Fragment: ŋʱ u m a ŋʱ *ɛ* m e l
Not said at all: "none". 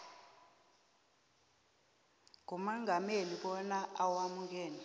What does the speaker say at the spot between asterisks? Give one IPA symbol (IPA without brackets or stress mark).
a